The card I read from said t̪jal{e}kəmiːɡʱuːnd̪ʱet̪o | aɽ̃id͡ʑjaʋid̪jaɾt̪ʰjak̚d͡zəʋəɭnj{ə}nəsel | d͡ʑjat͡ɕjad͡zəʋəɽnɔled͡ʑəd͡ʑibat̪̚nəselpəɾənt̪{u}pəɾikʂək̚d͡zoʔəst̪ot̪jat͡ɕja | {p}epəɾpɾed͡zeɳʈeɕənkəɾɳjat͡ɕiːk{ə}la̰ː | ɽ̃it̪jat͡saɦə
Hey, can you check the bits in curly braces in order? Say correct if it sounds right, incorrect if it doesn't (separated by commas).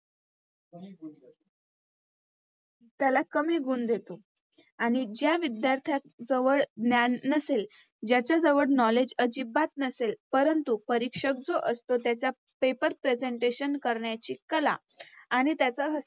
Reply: incorrect, incorrect, correct, correct, correct